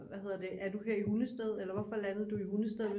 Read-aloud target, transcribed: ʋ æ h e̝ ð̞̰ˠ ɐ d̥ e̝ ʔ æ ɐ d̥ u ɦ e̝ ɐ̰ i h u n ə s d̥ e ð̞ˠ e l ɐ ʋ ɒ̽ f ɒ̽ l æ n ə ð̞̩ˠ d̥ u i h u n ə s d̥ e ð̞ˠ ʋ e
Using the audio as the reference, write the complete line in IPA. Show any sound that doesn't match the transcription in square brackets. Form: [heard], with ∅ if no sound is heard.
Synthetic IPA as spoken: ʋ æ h e̝ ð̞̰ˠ ɐ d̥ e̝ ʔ æ ɐ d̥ u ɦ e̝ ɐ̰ i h u n ə s d̥ e ð̞ˠ e l ɐ ʋ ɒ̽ f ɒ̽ l æ n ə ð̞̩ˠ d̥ u i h u n ə s d̥ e ð̞ˠ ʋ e